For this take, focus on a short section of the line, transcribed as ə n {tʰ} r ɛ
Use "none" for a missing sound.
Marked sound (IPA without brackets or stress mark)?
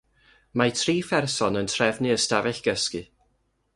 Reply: tʰ